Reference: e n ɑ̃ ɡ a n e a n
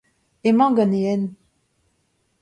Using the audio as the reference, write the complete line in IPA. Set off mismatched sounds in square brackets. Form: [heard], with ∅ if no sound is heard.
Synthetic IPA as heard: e [m] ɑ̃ ɡ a n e [ɛ] n